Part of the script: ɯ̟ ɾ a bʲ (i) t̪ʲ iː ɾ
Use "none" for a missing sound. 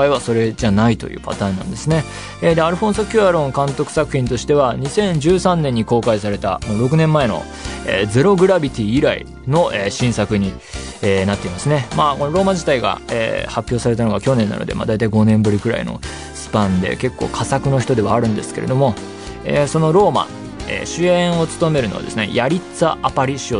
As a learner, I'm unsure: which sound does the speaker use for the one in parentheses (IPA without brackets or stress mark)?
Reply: i